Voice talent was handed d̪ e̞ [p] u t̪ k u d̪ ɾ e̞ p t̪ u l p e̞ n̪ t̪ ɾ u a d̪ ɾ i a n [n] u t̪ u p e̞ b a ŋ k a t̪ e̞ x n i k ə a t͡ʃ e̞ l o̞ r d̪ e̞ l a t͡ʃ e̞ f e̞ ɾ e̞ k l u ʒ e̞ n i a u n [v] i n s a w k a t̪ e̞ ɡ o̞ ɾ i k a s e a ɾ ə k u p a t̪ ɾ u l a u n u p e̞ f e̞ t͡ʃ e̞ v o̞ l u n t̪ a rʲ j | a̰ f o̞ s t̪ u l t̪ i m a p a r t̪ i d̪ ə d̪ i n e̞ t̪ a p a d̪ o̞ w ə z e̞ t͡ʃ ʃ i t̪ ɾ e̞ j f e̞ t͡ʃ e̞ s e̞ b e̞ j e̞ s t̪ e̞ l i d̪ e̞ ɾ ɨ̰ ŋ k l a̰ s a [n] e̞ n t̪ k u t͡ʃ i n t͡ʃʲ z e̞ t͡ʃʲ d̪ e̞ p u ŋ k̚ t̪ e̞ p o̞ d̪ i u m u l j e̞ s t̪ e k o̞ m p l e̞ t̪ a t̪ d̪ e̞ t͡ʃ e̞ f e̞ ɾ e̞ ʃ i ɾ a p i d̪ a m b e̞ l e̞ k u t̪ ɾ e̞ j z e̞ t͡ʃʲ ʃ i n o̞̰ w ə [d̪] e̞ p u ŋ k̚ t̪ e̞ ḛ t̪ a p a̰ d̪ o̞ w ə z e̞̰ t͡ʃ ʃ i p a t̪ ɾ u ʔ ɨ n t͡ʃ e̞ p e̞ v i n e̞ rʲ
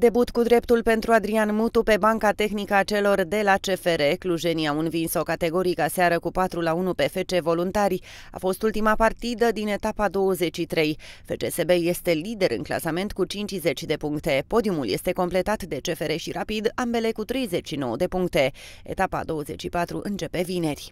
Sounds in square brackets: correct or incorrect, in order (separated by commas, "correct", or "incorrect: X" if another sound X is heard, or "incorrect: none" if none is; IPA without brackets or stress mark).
incorrect: b, incorrect: m, correct, incorrect: m, correct